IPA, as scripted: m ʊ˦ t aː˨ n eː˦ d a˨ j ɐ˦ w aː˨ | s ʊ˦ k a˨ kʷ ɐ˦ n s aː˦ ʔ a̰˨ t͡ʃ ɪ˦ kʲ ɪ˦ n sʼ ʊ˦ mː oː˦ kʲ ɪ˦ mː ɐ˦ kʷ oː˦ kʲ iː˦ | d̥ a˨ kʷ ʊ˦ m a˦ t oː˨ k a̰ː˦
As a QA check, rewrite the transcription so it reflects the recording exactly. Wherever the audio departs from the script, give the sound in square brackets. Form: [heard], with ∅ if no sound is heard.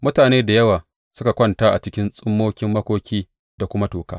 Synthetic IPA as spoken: m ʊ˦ t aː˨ n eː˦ d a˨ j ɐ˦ w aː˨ | s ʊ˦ k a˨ kʷ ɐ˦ n [t] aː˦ ʔ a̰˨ t͡ʃ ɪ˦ kʲ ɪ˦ n sʼ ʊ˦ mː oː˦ kʲ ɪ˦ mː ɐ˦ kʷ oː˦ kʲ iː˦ | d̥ a˨ kʷ ʊ˦ m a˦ t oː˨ k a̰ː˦

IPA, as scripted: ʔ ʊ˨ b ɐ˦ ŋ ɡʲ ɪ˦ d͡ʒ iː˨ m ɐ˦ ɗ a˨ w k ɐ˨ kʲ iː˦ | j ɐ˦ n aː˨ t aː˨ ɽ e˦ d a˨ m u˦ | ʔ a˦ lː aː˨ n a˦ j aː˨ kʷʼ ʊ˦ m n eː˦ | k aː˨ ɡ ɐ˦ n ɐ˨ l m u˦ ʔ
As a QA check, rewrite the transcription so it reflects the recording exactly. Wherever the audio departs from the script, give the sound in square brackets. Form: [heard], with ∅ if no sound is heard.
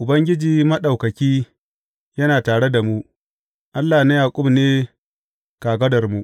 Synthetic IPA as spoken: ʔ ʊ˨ b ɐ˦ ŋ ɡʲ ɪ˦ d͡ʒ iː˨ m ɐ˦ ɗ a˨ w k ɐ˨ kʲ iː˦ | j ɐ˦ n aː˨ t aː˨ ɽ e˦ d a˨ m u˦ | ʔ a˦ lː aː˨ n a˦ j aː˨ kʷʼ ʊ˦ m n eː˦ | k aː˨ ɡ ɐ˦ [d] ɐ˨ [r] m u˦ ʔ

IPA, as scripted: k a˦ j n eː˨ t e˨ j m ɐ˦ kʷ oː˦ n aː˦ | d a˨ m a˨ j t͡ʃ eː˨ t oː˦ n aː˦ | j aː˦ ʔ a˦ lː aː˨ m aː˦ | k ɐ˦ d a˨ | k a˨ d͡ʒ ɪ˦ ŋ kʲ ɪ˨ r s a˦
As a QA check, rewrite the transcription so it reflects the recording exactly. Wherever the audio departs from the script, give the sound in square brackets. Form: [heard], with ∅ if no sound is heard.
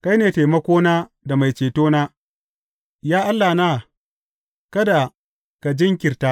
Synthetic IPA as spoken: k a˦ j n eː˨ t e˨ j m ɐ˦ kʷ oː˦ n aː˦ | d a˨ m a˨ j t͡ʃ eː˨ t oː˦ n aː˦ | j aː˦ ʔ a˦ lː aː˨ [n] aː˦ | k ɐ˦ d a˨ | k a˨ d͡ʒ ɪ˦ ŋ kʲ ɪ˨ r [t] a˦

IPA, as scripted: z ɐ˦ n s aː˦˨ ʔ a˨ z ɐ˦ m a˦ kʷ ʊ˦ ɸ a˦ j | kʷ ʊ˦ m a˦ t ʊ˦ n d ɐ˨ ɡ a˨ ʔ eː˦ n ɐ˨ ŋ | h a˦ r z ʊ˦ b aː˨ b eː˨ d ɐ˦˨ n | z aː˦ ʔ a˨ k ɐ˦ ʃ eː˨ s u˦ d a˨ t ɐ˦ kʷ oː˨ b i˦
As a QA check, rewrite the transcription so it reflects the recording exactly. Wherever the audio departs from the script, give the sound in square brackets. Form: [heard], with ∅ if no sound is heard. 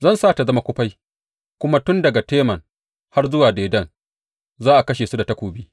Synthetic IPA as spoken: z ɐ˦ n s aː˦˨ [t] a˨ z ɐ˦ m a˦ kʷ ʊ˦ ɸ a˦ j | kʷ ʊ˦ m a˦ t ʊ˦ n d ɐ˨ ɡ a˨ [t] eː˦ [m] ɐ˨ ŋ | h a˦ r z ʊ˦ [w] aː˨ [d] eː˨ d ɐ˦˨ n | z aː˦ ʔ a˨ k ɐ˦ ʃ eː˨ s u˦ d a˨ t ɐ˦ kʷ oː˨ b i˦

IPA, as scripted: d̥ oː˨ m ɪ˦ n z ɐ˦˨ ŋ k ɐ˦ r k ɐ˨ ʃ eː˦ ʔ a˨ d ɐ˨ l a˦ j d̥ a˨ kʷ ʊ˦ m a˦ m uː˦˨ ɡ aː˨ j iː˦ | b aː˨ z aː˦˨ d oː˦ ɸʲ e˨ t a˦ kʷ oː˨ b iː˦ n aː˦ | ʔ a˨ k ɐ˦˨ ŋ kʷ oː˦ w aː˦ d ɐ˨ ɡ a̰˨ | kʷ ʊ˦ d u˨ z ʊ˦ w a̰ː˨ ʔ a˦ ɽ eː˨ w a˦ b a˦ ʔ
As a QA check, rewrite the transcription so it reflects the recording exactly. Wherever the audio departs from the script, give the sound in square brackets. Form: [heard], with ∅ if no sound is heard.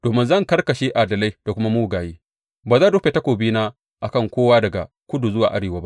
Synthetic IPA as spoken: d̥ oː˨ m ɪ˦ n z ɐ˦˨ ŋ k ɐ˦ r k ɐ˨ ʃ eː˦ ʔ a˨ d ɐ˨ l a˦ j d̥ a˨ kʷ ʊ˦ m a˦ m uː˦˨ ɡ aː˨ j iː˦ | b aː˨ z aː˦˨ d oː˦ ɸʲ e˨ t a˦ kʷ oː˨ b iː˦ n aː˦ | ʔ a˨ k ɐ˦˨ ŋ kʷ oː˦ w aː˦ d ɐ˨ ɡ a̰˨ | kʷ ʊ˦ d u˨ z ʊ˦ w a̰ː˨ ʔ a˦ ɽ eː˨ w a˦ b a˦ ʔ

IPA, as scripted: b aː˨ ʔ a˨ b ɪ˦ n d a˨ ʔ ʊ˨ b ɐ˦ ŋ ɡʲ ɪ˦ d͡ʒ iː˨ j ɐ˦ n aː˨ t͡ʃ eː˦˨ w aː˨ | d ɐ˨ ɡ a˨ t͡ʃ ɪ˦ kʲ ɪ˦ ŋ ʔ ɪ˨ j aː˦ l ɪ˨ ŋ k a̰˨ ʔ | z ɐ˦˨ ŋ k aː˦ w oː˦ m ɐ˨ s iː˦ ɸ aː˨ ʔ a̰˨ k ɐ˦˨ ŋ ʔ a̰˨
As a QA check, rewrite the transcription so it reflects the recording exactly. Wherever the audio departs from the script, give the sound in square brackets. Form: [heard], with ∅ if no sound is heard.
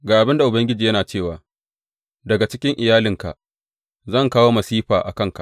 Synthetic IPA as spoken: [ɡ] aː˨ ʔ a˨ b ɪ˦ n d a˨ ʔ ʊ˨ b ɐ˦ ŋ ɡʲ ɪ˦ d͡ʒ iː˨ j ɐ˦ n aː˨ t͡ʃ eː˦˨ w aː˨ | d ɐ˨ ɡ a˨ t͡ʃ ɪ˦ kʲ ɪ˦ ŋ ʔ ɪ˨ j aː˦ l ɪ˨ ŋ k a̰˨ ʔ | z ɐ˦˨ ŋ k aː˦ w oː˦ m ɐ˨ s iː˦ ɸ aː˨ ʔ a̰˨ k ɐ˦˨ ŋ [k] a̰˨

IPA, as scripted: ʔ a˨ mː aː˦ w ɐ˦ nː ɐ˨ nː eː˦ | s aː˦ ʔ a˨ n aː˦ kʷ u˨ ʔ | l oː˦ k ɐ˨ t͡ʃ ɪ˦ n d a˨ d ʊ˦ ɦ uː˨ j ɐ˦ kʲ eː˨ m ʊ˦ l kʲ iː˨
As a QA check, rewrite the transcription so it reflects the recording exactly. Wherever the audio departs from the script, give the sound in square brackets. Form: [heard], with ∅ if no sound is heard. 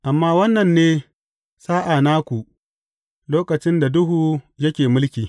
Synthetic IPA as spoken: ʔ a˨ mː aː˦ w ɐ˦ nː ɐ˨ nː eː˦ | s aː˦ ʔ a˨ n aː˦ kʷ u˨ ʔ | l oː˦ k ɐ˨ t͡ʃ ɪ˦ n d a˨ d ʊ˦ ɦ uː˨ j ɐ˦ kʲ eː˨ m ʊ˦ l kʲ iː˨

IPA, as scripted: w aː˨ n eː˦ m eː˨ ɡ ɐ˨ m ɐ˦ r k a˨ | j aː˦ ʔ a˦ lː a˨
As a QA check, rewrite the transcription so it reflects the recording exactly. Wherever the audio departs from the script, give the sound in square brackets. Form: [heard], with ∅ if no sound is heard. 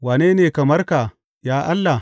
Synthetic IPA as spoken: w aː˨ n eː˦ [n] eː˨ [k] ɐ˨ m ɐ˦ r k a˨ | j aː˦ ʔ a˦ lː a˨

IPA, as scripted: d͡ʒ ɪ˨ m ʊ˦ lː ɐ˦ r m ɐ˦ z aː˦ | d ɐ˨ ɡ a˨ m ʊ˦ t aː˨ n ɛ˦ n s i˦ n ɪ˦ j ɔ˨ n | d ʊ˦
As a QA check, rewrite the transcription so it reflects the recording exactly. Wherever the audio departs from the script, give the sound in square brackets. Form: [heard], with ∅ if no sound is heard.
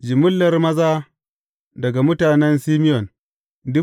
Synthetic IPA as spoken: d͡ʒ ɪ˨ m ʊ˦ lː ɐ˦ r m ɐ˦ z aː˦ | d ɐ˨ ɡ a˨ m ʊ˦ t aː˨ n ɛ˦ n s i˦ [m] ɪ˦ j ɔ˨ n | d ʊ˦

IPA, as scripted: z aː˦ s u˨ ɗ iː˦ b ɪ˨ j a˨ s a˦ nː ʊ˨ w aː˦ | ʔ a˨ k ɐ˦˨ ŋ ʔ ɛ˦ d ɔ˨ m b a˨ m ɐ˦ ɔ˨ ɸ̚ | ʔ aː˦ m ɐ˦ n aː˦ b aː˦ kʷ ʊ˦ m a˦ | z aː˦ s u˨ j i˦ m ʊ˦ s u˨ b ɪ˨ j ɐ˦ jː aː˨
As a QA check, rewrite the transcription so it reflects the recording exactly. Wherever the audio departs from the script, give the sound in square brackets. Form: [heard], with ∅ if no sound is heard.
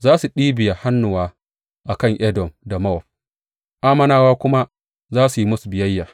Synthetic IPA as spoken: z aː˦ s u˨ ɗ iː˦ b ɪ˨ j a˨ [h] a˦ nː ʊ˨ w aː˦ | ʔ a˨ k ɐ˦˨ ŋ ʔ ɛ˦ d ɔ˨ m [d] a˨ m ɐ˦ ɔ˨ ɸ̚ | ʔ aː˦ m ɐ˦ n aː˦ [w] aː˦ kʷ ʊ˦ m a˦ | z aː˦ s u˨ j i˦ m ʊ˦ s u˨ b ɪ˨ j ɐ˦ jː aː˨

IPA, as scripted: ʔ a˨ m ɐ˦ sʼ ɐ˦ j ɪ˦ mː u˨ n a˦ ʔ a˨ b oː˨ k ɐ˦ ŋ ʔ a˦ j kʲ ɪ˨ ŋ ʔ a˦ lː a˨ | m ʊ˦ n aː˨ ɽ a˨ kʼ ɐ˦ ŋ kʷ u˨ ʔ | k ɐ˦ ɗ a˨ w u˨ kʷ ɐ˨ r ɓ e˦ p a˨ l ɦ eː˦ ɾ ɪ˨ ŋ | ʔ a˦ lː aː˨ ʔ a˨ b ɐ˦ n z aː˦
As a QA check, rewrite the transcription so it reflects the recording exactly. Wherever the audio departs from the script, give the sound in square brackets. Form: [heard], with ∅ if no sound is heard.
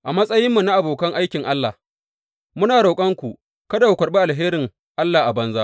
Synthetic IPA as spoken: ʔ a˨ m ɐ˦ sʼ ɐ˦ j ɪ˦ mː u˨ n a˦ ʔ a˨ b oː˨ k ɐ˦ ŋ ʔ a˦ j kʲ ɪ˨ ŋ ʔ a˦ lː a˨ | m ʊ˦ n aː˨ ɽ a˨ kʼ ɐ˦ ŋ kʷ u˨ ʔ | k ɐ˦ [d] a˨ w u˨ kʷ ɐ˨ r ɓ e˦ [ʔ] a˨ l ɦ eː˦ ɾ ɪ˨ ŋ | ʔ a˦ lː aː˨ ʔ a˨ b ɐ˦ n z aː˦

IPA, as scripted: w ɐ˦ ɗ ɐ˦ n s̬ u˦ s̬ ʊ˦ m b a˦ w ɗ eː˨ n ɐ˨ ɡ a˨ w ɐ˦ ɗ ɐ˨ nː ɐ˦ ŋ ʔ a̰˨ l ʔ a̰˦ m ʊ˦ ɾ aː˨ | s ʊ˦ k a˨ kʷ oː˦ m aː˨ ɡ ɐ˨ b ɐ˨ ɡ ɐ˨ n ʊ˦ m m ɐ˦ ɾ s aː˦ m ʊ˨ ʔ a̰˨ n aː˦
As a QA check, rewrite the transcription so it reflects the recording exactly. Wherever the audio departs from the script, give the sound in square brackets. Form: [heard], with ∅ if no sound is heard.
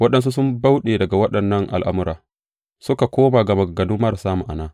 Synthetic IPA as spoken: w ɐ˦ ɗ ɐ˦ n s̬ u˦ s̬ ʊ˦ m b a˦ w ɗ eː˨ [d] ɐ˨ ɡ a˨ w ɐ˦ ɗ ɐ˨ nː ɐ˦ ŋ ʔ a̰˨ l ʔ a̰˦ m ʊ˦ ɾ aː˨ | s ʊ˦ k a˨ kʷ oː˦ m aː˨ ɡ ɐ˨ [m] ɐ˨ ɡ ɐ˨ n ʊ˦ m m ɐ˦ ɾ s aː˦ m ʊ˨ ʔ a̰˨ n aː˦

